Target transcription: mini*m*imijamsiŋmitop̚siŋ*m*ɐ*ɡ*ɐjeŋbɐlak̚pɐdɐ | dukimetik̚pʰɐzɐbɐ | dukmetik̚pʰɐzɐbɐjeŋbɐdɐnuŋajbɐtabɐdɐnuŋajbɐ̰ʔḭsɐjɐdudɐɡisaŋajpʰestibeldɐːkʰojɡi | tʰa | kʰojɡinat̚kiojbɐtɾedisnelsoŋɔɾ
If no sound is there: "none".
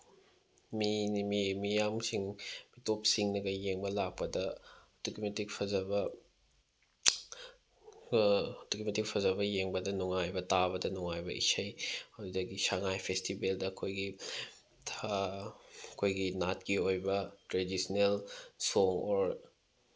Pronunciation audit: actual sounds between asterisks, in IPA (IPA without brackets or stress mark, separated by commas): m, n, ɡ